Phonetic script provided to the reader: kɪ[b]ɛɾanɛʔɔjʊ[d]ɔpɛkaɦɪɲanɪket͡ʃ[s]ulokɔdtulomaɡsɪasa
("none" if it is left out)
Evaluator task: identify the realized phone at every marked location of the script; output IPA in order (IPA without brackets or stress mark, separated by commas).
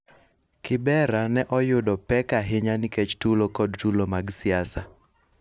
b, d, t